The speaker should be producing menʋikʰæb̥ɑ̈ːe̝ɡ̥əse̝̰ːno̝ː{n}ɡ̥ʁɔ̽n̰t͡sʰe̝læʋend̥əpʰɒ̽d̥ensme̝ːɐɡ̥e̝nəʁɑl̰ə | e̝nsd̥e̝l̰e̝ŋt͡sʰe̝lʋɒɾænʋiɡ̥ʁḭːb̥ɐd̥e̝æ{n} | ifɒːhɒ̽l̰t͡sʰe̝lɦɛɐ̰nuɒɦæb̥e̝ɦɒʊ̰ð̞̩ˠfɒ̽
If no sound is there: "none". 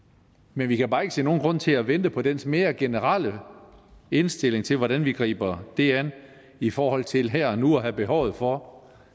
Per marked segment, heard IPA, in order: n, n

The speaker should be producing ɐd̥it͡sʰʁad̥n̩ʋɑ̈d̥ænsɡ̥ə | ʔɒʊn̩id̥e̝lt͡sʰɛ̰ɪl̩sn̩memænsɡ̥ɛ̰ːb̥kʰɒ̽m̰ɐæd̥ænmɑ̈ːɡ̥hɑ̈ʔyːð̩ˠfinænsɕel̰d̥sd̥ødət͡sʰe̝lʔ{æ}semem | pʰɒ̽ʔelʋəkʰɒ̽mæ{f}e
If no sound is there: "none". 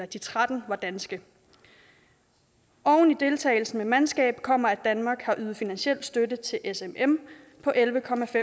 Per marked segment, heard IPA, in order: e, f

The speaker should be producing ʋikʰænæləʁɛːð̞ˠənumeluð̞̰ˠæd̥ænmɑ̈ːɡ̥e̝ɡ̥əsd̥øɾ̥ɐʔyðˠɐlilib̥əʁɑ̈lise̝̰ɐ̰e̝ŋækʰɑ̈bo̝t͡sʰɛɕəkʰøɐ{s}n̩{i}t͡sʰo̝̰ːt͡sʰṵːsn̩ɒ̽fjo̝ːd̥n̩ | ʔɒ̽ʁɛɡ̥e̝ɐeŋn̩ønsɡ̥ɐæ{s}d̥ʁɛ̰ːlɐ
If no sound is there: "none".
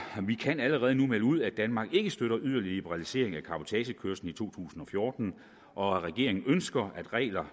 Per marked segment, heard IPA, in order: s, i, none

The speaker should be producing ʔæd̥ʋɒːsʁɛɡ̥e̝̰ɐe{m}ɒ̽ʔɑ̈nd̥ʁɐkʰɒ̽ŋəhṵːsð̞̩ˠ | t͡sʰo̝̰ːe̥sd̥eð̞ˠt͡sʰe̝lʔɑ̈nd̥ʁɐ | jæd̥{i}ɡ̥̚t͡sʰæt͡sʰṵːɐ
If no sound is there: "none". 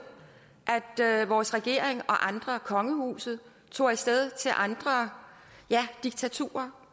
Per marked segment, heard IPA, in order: ŋ, i

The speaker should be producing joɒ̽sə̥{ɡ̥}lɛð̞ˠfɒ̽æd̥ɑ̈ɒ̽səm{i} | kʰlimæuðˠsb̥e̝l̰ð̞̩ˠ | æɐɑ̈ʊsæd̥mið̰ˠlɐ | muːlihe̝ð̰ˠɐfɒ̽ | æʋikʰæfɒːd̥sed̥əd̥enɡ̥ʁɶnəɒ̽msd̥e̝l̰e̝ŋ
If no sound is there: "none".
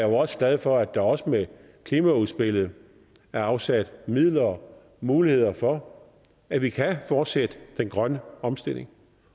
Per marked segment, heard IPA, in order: ɡ̥, e

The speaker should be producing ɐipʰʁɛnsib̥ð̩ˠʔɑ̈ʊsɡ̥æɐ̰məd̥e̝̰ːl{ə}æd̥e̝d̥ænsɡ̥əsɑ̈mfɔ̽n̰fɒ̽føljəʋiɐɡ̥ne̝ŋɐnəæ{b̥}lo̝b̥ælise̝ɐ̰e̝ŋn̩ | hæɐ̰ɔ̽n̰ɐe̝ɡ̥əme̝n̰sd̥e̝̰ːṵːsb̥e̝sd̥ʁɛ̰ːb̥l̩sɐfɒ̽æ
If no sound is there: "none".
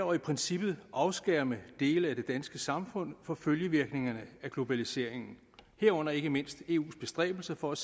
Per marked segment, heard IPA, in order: ə, ɡ̥

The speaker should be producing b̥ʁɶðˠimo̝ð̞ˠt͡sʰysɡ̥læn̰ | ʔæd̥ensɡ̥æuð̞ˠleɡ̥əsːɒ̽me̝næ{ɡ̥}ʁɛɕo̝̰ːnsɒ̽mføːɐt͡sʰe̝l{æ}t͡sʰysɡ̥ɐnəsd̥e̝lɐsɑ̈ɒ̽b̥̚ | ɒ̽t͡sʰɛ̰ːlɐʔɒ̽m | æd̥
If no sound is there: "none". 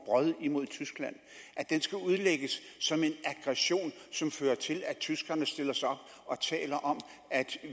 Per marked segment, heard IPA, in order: ɡ̥, æ

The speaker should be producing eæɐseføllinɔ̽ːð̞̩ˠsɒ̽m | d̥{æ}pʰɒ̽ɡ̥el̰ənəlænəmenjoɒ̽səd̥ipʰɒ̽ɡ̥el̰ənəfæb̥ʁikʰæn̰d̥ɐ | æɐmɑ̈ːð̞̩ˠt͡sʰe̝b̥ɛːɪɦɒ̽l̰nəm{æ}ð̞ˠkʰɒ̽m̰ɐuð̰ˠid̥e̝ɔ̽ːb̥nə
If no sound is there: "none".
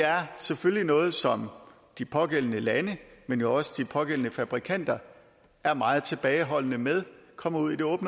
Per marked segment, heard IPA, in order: i, e

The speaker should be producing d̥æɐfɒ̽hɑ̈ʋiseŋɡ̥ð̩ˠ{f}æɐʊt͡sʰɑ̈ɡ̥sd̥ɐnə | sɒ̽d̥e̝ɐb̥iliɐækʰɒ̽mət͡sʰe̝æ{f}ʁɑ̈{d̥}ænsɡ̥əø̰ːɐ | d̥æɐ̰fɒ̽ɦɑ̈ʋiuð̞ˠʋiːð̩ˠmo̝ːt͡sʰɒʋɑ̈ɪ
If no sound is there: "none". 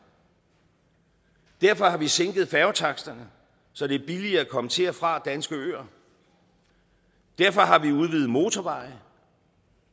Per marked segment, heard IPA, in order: f, f, d̥

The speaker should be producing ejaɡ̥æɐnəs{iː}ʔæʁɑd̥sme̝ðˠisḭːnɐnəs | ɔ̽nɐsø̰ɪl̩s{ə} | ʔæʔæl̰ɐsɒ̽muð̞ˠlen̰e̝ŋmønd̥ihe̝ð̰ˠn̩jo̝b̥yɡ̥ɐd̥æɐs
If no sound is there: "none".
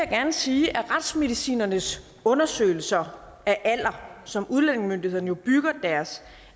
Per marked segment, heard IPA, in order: iː, ɐ

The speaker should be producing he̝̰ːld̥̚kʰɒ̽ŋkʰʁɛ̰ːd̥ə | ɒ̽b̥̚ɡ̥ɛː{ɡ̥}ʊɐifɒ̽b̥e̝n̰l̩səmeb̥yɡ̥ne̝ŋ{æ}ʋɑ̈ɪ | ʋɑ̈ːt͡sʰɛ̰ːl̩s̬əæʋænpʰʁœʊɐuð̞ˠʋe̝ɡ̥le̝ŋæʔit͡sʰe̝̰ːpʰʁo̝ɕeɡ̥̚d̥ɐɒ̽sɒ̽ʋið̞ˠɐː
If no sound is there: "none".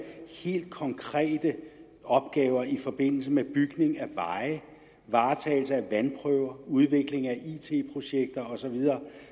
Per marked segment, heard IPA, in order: none, æ

